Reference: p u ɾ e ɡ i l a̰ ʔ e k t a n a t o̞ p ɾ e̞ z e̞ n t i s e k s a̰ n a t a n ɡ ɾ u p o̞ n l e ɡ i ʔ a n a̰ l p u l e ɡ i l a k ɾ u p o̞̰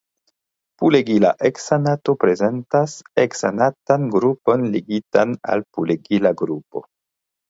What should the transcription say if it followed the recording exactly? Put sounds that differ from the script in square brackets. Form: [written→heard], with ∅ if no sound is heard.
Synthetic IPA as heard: p u [ɾ→l] e ɡ i l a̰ ʔ e k [t→s] a n a t o̞ p ɾ e̞ z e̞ n t [i→a] s e k s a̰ n a t a n ɡ ɾ u p o̞ n l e ɡ i [ʔ→t] a n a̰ l p u l e ɡ i l a [k→ɡ] ɾ u p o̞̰

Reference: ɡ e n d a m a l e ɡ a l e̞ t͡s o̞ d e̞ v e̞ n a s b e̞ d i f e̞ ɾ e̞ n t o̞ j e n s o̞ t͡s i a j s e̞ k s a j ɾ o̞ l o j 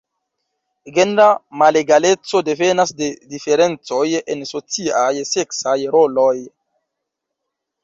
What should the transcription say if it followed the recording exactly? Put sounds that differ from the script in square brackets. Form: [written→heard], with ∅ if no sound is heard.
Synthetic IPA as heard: ɡ e n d a m a l e ɡ a l e̞ t͡s o̞ d e̞ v e̞ n a s [b→d] e̞ d i f e̞ ɾ e̞ n [t→t͡s] o̞ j e n s o̞ t͡s i a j s e̞ k s a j ɾ o̞ l o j

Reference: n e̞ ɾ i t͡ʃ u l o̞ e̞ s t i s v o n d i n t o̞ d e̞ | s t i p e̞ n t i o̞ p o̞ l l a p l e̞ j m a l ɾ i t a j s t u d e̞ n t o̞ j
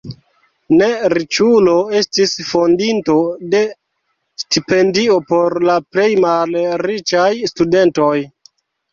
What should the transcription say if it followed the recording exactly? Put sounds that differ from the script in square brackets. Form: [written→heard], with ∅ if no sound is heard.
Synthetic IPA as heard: n e̞ ɾ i t͡ʃ u l o̞ e̞ s t i s [v→f] o n d i n t o̞ d e̞ | s t i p e̞ n [t→d] i o̞ p o̞ [l→ɾ] l a p l e̞ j m a l ɾ i [t→t͡ʃ] a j s t u d e̞ n t o̞ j

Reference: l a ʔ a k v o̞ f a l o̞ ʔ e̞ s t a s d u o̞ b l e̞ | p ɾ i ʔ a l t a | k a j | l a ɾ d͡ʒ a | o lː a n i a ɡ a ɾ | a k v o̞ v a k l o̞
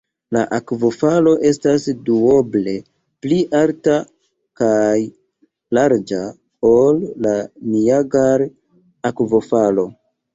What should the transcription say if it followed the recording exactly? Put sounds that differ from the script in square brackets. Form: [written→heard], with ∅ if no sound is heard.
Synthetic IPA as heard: l a ʔ a k v o̞ f a l o̞ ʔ e̞ s t a s d u o̞ b l e̞ | p [ɾ→l] i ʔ a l t a | k a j | l a ɾ d͡ʒ a | o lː a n i a ɡ a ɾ | a k v o̞ [v→f] a [k→∅] l o̞

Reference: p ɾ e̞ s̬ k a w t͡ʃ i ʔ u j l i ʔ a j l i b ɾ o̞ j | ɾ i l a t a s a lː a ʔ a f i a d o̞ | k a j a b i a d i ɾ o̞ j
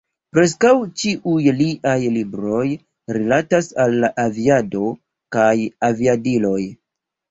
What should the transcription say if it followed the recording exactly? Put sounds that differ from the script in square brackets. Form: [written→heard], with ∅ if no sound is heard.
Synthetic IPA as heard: p ɾ e̞ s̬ k a w t͡ʃ i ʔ u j l i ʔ a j l i b ɾ o̞ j | ɾ i l a t a s a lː a ʔ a [f→v] i a d o̞ | k a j a [b→v] i a d i [ɾ→l] o̞ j

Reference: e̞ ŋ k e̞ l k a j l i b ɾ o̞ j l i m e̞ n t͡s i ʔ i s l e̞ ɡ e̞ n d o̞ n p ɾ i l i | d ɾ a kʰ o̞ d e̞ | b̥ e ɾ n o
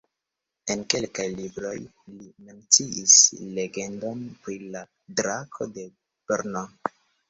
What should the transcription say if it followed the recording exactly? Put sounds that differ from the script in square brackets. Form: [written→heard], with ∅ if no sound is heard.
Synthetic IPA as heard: e̞ [ŋ→n] k e̞ l k a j l i b ɾ o̞ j l i m e̞ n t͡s i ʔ i s l e̞ ɡ e̞ n d o̞ n p ɾ i l [i→a] | d ɾ a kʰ o̞ d e̞ | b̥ e ɾ n o

